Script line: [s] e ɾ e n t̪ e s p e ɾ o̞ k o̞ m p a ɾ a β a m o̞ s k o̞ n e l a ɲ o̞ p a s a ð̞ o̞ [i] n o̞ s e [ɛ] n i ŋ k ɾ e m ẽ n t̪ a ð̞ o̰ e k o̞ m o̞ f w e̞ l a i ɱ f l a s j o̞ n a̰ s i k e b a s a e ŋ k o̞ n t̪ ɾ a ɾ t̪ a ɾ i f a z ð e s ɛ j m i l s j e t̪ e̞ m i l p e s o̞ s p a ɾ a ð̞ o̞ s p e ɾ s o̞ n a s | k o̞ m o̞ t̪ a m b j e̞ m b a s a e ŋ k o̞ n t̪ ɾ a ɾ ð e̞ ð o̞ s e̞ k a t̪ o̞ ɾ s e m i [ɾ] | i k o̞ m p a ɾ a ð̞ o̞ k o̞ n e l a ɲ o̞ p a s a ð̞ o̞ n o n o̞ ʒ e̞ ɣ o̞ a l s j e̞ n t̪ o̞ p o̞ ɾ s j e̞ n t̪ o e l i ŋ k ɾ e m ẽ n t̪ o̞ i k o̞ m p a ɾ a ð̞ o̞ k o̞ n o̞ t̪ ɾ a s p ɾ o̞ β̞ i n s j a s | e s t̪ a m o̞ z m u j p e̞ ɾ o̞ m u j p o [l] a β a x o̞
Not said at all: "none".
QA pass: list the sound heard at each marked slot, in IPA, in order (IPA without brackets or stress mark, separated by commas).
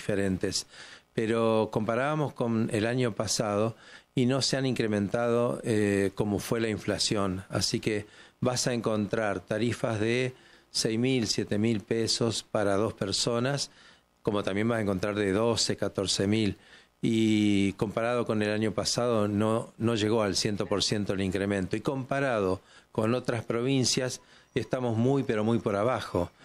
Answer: f, i, a, l, ɾ